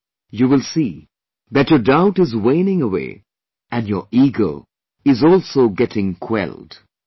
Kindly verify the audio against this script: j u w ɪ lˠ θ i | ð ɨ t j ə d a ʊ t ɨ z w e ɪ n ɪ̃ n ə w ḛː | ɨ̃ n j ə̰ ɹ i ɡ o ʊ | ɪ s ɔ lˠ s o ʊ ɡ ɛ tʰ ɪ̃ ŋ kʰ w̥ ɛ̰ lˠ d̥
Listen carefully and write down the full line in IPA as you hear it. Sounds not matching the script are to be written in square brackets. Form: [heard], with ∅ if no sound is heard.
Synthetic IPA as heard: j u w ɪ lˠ [s] i | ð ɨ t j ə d a ʊ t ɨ z w e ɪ n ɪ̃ [ŋ] ə w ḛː | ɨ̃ n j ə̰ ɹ i ɡ o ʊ | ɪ [z] ɔ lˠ s o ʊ ɡ ɛ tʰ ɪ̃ ŋ kʰ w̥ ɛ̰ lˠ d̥